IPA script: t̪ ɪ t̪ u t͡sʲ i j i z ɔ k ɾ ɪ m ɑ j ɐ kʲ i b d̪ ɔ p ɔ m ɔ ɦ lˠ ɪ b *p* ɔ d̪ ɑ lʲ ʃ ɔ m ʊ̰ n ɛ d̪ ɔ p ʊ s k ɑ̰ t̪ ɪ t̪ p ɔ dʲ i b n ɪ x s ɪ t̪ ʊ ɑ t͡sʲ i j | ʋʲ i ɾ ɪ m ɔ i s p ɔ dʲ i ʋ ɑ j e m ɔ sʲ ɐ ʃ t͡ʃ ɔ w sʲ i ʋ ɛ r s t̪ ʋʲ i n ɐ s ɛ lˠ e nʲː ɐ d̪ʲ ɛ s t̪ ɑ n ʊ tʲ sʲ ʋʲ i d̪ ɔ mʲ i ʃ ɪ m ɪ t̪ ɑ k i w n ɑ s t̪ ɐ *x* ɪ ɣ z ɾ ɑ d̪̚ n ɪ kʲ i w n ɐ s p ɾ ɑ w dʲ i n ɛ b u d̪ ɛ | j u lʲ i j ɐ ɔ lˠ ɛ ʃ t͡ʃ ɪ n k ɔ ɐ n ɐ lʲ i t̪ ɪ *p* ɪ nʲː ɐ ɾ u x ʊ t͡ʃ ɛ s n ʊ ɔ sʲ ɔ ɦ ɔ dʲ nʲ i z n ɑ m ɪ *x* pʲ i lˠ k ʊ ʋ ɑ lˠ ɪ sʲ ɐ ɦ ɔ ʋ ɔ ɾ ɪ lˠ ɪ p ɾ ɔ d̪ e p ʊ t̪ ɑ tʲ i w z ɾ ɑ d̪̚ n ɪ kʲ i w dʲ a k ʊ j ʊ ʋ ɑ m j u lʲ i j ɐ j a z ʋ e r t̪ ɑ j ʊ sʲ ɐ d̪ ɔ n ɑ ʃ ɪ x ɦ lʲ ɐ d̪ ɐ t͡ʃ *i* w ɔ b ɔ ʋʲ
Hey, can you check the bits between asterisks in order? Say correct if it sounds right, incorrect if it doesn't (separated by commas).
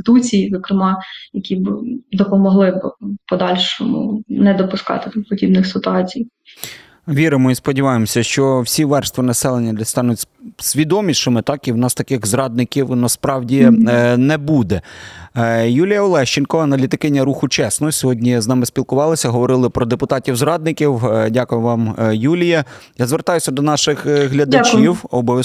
correct, incorrect, incorrect, incorrect, correct